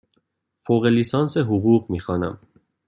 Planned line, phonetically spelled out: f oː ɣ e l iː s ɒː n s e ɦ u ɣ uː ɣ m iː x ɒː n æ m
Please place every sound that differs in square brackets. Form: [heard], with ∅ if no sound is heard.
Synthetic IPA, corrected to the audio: f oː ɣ e l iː s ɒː n s e ɦ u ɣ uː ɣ m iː x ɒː n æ m